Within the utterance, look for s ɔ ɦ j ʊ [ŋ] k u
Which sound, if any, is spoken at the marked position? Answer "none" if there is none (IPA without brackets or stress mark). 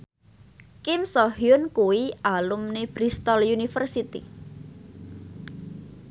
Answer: n